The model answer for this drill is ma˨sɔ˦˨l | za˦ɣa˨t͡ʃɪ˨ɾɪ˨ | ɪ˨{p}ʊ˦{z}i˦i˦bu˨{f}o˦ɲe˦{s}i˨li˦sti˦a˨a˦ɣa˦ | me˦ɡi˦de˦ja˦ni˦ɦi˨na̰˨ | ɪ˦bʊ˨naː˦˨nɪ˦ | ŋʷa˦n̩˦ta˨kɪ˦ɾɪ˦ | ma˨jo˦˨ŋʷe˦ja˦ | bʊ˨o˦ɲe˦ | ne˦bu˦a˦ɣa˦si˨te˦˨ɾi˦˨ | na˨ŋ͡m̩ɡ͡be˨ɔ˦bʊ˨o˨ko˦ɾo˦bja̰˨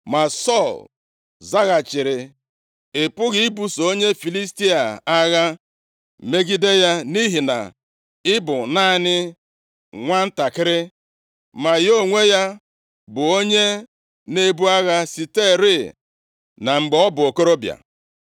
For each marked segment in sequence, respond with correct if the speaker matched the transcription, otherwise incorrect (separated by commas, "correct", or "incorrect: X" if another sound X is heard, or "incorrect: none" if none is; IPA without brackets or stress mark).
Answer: correct, incorrect: ɣ, incorrect: s, incorrect: f